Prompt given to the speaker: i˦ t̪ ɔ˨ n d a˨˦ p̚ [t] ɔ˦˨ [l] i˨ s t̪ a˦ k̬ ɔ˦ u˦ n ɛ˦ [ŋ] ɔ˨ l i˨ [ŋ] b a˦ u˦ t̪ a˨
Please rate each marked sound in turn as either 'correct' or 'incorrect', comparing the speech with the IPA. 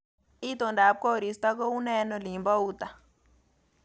incorrect: k, incorrect: ɾ, incorrect: n, incorrect: m

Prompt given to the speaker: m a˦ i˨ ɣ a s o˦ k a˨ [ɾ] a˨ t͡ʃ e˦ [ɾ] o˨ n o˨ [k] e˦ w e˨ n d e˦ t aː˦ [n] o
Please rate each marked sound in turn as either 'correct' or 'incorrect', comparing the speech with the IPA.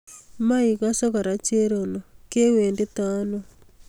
correct, correct, correct, correct

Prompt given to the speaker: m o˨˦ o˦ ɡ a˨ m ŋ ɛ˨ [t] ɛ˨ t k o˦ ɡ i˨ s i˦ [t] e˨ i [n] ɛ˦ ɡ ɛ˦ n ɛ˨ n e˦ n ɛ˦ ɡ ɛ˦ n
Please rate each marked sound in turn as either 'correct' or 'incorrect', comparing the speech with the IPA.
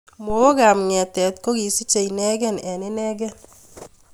correct, incorrect: t͡ʃ, correct

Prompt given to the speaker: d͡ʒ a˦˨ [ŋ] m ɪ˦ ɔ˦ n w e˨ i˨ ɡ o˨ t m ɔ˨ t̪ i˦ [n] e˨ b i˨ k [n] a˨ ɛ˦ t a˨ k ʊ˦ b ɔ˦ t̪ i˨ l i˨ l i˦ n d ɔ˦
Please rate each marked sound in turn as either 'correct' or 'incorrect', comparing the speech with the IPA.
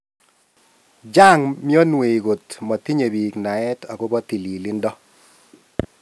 correct, incorrect: ɲ, correct

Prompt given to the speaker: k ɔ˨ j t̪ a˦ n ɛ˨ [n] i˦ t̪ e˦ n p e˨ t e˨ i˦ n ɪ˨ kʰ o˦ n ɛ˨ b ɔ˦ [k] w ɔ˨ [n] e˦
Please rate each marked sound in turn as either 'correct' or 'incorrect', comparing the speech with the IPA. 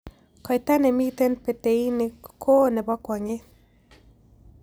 incorrect: m, correct, incorrect: ŋ

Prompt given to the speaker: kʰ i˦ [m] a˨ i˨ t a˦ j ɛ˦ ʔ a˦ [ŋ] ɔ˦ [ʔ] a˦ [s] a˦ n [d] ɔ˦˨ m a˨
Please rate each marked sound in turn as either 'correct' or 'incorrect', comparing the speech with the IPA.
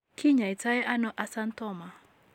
incorrect: ɲ, incorrect: n, correct, correct, incorrect: t

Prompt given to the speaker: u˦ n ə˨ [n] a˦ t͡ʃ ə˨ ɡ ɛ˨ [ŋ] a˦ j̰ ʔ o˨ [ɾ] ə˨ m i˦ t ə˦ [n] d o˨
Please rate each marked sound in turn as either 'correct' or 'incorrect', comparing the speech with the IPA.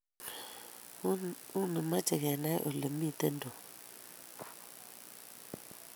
incorrect: m, incorrect: n, incorrect: l, correct

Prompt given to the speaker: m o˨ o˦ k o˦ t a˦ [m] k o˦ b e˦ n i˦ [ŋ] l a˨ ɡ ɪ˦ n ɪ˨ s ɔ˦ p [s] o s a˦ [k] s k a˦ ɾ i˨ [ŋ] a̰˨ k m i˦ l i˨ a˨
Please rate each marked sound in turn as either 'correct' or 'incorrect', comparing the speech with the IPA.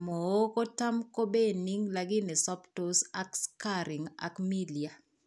correct, correct, incorrect: t, correct, correct

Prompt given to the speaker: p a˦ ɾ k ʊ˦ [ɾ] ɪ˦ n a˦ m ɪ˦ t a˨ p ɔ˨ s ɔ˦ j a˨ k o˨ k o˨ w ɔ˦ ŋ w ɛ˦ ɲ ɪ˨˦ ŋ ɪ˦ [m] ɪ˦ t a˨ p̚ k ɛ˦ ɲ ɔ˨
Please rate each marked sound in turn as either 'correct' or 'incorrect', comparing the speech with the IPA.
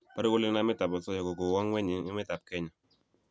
incorrect: l, correct

